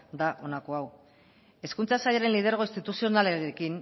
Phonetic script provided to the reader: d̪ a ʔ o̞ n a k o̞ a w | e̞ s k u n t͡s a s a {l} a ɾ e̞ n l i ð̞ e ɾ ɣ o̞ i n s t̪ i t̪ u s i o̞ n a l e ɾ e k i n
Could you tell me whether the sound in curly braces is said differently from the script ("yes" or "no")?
yes